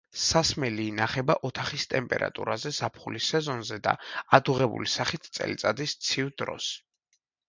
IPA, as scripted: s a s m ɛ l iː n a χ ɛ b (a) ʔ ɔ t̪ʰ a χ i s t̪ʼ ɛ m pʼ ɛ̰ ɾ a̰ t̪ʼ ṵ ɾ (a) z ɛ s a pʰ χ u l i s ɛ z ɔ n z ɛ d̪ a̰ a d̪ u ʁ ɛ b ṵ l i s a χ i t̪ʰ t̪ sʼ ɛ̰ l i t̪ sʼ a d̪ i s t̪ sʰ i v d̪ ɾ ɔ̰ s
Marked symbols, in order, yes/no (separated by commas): yes, yes